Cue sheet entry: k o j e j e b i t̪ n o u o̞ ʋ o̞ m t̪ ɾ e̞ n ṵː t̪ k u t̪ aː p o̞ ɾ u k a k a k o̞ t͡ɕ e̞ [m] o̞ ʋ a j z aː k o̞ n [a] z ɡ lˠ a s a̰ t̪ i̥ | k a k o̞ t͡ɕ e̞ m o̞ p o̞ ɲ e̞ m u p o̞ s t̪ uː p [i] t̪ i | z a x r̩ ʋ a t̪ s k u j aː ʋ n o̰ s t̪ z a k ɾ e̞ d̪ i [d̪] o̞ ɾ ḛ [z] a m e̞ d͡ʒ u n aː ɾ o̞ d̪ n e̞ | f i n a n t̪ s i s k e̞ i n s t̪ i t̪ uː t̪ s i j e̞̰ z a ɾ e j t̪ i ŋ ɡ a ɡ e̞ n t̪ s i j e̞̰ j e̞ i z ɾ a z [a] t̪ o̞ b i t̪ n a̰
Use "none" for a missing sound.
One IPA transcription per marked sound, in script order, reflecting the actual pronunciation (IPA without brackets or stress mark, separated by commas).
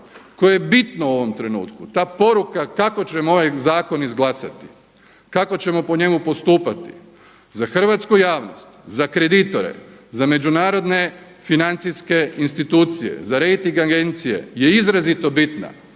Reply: m, i, a, t̪, z, i